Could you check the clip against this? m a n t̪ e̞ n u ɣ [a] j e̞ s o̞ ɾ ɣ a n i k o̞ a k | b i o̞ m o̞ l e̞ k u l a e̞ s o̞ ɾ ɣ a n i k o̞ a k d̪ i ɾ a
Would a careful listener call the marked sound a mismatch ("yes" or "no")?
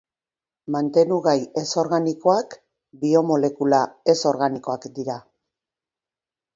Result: no